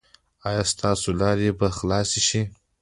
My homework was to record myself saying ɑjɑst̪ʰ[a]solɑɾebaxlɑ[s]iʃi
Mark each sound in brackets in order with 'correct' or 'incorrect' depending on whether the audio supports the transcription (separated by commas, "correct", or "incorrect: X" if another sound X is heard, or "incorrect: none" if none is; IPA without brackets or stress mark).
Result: incorrect: ɑ, correct